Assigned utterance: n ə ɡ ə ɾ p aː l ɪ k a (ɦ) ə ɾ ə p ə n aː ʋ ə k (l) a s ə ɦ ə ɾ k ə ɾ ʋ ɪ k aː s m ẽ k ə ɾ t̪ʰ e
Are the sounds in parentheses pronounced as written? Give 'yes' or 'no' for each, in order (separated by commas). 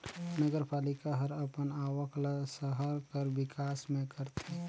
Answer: yes, yes